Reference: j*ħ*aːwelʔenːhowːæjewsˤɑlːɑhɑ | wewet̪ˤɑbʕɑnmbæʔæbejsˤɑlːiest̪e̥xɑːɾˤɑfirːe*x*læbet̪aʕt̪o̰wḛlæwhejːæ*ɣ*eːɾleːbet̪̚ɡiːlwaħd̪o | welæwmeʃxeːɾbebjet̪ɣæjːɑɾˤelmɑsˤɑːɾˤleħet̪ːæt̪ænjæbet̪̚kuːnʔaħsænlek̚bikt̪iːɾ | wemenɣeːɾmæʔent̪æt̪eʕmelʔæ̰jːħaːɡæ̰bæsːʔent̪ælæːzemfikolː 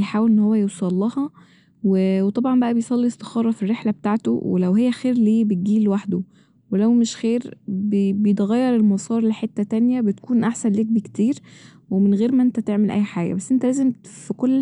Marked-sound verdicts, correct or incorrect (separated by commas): correct, incorrect, incorrect